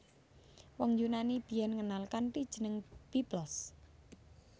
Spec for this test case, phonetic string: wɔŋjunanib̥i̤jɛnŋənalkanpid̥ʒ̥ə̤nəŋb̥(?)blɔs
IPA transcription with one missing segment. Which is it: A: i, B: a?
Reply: A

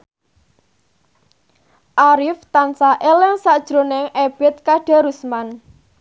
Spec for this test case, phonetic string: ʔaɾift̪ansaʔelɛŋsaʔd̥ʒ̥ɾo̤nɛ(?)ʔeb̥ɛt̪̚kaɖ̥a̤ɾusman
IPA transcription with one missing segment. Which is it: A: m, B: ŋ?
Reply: B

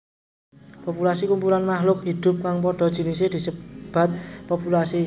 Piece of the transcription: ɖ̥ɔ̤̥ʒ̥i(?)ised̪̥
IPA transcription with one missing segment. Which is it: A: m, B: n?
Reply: B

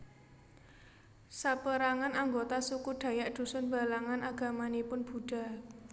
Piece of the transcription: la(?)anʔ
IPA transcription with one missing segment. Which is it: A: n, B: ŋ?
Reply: B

